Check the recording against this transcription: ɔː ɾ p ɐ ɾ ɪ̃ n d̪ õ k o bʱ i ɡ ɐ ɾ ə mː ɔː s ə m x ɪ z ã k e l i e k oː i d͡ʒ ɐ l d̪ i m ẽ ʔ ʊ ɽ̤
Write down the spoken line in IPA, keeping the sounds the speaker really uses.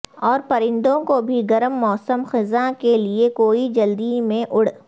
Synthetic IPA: ɔː ɾ p ɐ ɾ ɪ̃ n d̪ õ k o bʱ i ɡ ɐ ɾ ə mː ɔː s ə m x ɪ z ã k e l i e k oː i d͡ʒ ɐ l d̪ i m ẽ ʔ ʊ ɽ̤